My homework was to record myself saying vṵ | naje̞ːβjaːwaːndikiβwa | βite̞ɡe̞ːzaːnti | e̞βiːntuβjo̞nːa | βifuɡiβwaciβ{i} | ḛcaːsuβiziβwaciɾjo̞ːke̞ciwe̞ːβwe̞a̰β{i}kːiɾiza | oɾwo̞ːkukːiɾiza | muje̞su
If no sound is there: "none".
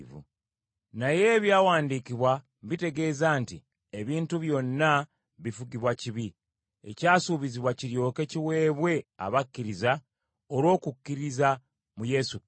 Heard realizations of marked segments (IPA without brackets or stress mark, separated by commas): i, a